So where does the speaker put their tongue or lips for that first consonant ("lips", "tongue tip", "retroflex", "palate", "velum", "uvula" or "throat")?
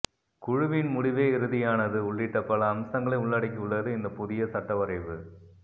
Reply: velum